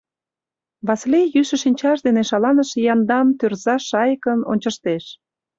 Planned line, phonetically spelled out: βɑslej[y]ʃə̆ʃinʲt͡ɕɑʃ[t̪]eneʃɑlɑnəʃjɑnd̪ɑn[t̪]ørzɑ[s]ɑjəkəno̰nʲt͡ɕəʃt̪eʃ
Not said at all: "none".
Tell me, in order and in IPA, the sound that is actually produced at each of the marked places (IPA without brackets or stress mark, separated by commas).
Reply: y, d̪, t̪, ʃ